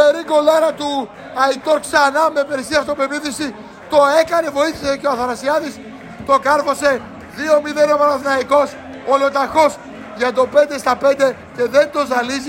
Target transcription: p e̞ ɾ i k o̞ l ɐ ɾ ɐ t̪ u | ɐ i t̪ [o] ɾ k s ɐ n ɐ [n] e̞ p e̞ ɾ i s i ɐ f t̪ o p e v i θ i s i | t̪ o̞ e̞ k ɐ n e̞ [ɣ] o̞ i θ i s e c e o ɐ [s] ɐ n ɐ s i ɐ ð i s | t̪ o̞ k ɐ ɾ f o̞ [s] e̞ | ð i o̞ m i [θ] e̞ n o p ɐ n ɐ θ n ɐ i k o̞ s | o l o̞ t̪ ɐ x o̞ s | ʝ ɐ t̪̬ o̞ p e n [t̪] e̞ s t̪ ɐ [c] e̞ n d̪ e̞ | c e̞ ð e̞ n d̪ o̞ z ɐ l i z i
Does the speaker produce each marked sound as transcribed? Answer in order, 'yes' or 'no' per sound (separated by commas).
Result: yes, no, no, no, yes, no, no, no